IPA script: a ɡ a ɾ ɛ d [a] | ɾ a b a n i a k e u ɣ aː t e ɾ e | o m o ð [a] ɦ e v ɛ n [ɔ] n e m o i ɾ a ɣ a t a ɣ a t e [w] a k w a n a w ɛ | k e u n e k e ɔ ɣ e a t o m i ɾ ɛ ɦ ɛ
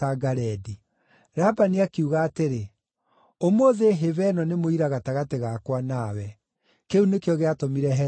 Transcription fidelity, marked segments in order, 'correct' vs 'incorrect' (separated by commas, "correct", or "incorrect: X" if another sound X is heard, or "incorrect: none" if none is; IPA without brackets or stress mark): incorrect: i, incorrect: e, correct, incorrect: ɣ